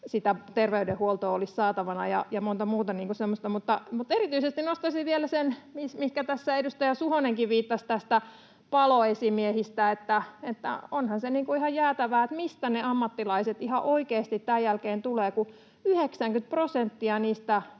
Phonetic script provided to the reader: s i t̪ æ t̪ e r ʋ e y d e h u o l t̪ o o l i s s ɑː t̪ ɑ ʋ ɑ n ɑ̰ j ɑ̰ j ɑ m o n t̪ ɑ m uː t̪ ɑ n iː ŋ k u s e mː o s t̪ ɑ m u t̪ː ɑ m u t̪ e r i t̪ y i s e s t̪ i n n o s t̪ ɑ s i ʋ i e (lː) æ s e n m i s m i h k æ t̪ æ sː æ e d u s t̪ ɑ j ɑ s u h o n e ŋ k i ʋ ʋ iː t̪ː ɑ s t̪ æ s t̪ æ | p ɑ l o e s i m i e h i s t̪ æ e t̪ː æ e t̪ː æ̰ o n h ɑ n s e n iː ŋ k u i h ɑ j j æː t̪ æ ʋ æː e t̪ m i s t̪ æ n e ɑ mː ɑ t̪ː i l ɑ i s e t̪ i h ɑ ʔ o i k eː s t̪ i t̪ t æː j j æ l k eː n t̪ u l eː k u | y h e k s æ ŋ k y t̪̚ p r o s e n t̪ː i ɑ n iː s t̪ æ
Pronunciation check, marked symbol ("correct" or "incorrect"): incorrect